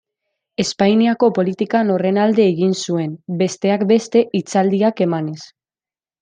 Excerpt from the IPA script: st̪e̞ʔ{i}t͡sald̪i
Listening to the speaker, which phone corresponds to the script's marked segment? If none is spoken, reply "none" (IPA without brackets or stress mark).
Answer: i